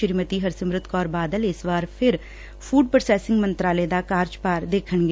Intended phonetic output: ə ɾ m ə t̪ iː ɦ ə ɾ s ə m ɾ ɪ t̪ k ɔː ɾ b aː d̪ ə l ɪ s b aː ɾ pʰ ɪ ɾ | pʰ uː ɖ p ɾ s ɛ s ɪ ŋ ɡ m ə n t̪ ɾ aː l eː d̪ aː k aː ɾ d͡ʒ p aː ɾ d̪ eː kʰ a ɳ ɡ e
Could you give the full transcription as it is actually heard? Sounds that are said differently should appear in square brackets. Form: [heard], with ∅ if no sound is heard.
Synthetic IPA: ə ɾ m ə t̪ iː ɦ ə ɾ s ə m ɾ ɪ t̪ k ɔː ɾ b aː d̪ ə l ɪ s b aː ɾ pʰ ɪ ɾ | pʰ uː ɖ p ɾ s [ɛː] s ɪ ŋ ɡ m ə n t̪ ɾ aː l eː d̪ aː k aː ɾ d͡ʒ p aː ɾ d̪ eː kʰ [ə] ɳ ɡ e